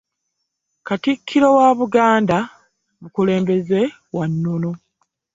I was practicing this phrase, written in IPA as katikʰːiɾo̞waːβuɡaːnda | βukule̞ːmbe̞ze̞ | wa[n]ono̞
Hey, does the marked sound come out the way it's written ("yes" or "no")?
no